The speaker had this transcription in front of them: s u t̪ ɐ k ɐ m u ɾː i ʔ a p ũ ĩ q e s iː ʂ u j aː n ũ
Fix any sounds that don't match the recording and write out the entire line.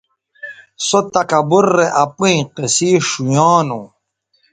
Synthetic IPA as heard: s o t̪ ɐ k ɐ b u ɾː e ʔ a p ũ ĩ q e s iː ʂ u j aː n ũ